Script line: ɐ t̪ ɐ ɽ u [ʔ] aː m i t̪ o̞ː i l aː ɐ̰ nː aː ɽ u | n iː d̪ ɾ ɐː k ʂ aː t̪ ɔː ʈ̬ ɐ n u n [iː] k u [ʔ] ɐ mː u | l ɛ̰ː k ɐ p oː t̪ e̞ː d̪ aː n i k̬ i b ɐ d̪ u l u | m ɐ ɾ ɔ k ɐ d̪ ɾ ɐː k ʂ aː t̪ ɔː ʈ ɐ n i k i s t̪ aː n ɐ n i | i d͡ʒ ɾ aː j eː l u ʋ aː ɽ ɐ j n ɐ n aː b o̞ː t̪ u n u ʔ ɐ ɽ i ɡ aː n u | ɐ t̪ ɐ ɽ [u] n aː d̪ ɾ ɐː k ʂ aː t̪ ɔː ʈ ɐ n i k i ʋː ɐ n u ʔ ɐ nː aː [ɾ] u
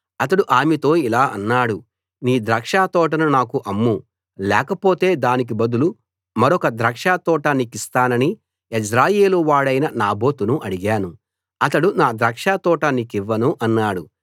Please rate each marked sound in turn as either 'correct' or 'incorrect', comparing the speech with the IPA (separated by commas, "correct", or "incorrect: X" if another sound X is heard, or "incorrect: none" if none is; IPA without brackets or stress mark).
correct, incorrect: aː, correct, correct, incorrect: ɽ